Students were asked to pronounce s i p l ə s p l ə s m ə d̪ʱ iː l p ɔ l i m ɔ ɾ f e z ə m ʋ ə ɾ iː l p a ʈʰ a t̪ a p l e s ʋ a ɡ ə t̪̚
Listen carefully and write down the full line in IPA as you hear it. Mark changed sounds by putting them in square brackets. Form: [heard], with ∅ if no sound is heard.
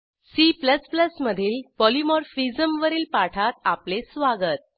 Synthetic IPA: s i p l ə s p l ə s m ə d̪ʱ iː l p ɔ l i m ɔ ɾ f [i] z ə m ʋ ə ɾ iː l p a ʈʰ a t̪ a p l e s ʋ a ɡ ə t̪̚